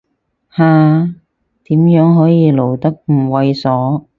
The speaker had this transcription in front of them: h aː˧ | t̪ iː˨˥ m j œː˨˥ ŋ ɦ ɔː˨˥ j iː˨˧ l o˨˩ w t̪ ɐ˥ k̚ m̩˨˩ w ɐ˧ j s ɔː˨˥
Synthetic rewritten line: h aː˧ | t̪ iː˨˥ m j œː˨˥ ŋ ɦ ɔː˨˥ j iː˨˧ l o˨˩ w t̪ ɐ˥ k̚ m̩˨˩ w ɐ˧ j s ɔː˨˥